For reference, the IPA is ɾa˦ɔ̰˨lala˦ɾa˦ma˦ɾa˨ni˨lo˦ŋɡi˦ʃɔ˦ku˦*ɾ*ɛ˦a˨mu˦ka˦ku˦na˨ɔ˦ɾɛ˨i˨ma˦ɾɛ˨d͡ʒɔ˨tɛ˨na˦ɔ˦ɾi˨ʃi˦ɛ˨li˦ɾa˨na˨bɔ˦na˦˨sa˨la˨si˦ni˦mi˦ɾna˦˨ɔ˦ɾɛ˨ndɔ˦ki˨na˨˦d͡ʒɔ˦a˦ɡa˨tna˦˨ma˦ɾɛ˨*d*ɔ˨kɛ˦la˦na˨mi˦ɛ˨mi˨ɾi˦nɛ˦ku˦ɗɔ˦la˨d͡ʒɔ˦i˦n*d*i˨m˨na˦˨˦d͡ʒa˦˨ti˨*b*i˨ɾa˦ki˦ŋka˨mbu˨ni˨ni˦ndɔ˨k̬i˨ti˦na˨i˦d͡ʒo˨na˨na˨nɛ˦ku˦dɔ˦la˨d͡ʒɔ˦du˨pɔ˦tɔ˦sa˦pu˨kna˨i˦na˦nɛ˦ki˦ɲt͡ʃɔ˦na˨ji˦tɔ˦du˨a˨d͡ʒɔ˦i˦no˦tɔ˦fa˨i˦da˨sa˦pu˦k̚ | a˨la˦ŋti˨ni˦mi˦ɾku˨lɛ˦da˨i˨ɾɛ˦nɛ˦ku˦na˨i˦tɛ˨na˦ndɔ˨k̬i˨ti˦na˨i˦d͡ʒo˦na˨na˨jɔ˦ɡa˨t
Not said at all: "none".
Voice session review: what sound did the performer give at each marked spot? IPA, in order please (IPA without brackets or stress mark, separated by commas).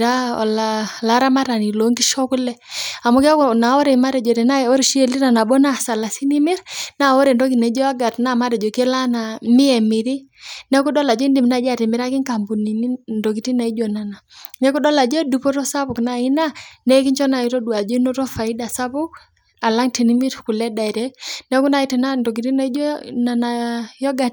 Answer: l, d͡ʒ, d, m